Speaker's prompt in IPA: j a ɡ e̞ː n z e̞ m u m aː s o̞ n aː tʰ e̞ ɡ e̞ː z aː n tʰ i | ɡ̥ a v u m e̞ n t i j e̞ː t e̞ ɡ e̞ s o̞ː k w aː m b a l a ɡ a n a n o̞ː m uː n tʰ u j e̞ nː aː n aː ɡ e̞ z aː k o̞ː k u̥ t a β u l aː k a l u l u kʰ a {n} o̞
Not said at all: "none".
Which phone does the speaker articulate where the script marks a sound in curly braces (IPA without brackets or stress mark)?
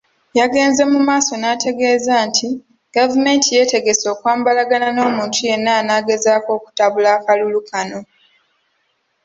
n